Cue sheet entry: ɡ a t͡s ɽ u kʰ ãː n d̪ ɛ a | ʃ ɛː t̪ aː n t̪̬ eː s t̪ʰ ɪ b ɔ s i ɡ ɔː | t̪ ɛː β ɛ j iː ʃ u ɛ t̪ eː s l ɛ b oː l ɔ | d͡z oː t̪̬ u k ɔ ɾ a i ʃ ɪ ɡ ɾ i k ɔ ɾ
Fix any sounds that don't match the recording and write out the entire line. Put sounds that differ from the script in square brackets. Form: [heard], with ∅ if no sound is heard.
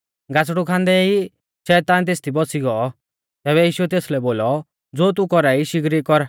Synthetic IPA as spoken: ɡ a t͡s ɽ u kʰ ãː n d̪ ɛ [i] | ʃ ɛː t̪ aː n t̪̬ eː s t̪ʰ [i] b ɔ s i ɡ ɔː | t̪ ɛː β ɛ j iː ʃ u ɛ t̪ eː s l ɛ b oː l ɔ | d͡z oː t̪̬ u k ɔ ɾ a i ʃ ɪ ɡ ɾ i k ɔ ɾ